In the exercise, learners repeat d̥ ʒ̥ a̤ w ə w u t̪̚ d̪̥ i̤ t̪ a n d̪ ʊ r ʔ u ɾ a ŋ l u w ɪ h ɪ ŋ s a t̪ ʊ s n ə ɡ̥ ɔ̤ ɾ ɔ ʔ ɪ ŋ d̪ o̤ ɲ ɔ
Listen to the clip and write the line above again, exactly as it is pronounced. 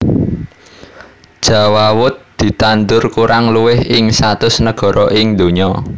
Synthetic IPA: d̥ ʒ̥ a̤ w a w ʊ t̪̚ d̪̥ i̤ t̪ a n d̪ ʊ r k u ɾ a ŋ l u w ɪ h ɪ ŋ s a t̪ ʊ s n ə ɡ̥ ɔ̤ ɾ ɔ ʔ ɪ ŋ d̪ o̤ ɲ ɔ